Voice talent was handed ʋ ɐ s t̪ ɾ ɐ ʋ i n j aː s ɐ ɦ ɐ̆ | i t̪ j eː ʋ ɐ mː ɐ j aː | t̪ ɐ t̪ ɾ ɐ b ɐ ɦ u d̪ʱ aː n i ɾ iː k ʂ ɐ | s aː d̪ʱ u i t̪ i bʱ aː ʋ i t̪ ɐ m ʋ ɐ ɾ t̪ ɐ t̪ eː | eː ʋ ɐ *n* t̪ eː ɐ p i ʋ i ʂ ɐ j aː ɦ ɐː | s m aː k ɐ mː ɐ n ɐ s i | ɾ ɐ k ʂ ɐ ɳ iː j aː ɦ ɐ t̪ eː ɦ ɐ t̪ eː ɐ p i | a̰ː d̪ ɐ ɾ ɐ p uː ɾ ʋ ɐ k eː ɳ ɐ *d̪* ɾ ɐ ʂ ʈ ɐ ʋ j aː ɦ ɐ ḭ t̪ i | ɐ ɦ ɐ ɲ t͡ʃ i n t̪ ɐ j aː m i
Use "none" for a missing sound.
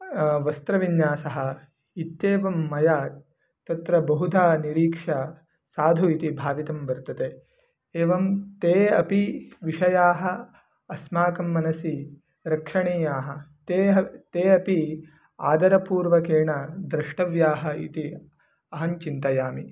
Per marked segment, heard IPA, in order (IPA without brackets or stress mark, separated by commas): m, d̪